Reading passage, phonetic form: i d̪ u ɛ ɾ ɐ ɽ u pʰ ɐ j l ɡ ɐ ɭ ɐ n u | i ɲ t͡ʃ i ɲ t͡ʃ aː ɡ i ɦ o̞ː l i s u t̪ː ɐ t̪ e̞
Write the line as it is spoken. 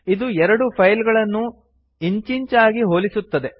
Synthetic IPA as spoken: i d̪ u ɛ ɾ ɐ ɽ u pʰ ɐ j l ɡ ɐ ɭ ɐ nː u | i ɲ t͡ʃ i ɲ t͡ʃ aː ɡ i ɦ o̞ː l i s u t̪ː ɐ d̪ e̞